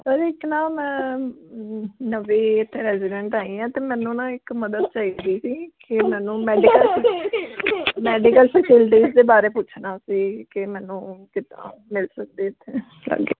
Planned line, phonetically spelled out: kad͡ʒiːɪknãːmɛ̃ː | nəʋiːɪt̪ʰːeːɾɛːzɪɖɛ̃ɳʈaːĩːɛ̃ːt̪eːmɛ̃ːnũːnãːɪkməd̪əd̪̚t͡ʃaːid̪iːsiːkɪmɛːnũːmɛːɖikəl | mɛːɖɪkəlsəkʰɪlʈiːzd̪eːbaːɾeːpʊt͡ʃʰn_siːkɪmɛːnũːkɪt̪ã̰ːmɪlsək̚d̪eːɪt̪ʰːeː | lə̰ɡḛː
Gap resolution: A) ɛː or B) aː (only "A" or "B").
B